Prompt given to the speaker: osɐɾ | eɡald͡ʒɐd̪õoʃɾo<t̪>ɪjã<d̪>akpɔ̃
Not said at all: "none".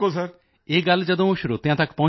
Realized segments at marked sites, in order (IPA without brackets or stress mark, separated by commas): t̪, t̪